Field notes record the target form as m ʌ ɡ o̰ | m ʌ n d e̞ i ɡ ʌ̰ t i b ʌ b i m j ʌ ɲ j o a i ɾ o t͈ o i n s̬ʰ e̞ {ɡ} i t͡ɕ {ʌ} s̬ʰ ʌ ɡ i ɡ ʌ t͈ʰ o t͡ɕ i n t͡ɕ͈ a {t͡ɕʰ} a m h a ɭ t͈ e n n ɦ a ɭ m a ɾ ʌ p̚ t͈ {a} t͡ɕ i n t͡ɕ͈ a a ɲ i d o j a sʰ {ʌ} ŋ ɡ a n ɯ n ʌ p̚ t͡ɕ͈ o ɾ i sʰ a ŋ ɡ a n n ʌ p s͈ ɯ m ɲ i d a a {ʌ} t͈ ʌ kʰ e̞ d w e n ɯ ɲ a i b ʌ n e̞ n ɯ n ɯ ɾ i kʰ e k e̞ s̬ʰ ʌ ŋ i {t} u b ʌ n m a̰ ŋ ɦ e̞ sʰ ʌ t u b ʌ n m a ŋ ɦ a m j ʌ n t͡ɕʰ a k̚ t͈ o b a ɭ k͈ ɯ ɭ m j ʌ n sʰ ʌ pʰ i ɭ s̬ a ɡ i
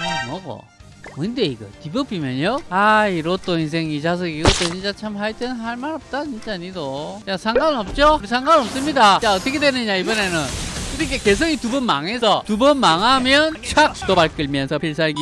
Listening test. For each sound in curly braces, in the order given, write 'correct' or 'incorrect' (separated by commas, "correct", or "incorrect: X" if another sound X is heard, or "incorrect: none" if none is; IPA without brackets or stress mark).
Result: incorrect: ŋ, incorrect: a, correct, correct, incorrect: a, correct, correct